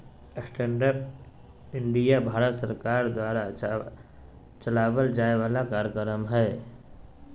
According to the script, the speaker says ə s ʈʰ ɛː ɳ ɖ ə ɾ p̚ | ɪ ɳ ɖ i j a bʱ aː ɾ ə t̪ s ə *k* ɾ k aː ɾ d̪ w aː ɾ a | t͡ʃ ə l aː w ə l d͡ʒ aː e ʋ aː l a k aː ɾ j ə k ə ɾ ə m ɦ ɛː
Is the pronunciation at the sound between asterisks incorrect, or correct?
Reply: incorrect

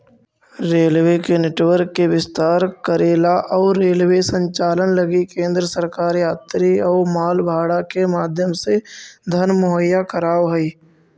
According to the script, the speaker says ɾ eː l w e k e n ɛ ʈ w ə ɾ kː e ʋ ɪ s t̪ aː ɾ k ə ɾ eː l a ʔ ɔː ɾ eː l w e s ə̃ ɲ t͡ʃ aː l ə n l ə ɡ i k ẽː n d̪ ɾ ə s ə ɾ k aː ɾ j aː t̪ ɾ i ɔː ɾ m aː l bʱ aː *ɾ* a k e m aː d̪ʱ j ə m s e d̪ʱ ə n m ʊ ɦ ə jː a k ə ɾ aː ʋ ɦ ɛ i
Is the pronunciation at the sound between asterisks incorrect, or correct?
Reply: incorrect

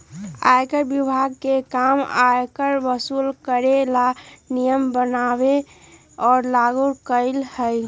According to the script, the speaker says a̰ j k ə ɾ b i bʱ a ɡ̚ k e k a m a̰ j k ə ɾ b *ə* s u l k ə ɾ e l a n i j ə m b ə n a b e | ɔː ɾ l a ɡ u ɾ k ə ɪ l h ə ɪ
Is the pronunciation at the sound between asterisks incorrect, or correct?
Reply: correct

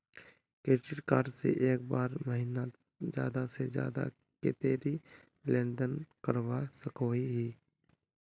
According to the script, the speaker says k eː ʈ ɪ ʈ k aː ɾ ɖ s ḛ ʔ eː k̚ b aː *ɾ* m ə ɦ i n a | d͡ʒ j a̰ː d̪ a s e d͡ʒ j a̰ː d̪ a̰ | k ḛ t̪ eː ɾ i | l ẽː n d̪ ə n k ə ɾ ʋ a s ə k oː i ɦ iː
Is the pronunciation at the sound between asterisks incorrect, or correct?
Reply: correct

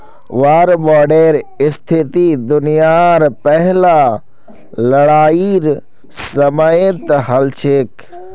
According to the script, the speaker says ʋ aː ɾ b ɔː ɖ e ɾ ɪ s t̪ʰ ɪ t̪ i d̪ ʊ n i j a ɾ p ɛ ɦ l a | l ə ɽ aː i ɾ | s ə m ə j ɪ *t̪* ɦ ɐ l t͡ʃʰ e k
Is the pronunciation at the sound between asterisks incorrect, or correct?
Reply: correct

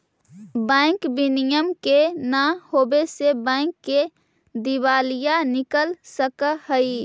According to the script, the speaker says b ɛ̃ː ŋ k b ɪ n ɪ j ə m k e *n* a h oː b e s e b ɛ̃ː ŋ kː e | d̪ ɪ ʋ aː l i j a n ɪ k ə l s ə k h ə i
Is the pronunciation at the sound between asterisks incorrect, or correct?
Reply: correct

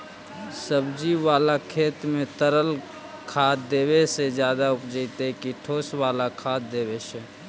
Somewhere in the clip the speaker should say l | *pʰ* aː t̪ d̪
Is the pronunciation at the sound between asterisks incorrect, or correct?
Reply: incorrect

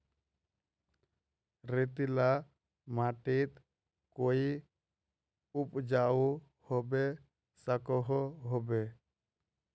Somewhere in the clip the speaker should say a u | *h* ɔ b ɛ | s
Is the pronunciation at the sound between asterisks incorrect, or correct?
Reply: correct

